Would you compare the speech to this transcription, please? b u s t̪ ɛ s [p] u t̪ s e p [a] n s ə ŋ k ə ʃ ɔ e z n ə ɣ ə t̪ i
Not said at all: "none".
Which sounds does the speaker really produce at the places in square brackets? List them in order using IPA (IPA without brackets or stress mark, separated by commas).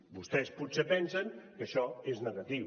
p, ɛ